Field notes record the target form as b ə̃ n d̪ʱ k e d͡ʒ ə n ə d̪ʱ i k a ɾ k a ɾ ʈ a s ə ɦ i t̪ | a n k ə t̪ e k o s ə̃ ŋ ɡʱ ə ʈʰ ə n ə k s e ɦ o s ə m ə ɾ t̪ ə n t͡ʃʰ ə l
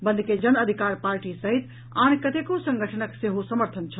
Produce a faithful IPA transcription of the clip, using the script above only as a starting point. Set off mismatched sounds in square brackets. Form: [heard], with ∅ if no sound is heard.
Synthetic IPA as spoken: b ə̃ n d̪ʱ k e d͡ʒ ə n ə d̪ʱ i k a ɾ [p] a ɾ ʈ [i] s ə ɦ i t̪ | a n k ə t̪ e k o s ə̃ ŋ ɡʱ ə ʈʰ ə n ə k s e ɦ o s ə m ə ɾ [t̪ʰ] ə n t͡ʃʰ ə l